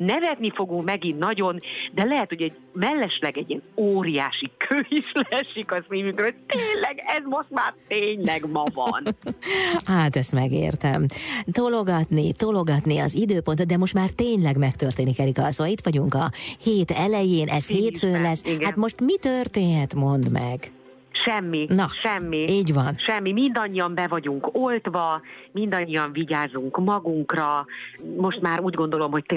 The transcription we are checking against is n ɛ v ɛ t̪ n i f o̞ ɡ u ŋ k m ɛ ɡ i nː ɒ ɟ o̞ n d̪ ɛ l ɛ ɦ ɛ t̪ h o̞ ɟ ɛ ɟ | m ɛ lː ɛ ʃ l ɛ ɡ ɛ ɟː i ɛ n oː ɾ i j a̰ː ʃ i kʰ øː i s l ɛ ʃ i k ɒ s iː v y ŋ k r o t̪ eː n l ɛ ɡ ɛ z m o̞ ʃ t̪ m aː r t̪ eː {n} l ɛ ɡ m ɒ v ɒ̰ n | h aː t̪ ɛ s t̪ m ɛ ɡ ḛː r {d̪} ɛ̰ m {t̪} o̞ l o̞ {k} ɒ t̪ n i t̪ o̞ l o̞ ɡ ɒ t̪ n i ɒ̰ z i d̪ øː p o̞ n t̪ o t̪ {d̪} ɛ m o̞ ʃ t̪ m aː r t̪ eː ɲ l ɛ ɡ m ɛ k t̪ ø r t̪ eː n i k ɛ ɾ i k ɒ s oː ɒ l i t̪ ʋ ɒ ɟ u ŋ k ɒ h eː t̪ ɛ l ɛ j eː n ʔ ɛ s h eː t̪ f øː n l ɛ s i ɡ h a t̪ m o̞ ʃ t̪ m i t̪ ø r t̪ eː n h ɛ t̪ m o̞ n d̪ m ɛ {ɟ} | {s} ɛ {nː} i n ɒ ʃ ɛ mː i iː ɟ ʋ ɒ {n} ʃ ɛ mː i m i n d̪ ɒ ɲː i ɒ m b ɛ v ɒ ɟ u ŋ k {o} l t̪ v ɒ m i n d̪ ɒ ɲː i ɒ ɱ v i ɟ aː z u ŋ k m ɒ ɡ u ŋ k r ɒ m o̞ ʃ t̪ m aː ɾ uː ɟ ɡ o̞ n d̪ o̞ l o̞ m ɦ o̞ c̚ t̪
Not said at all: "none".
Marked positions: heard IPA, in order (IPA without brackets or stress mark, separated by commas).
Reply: ɲ, t̪, t̪, ɡ, d̪, ɡ, ʃ, mː, n, o